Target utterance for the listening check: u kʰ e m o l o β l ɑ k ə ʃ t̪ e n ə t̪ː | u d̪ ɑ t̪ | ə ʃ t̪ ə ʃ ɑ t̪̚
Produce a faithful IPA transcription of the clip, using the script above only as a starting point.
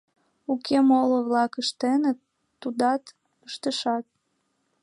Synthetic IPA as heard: u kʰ e m o l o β l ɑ k ə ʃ t̪ e n ə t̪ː | u d̪ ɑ t̪ | ə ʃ t̪ ə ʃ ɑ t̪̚